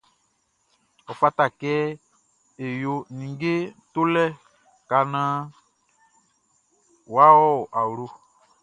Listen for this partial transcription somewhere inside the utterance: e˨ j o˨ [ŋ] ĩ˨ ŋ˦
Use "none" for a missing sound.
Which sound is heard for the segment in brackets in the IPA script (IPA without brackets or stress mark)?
n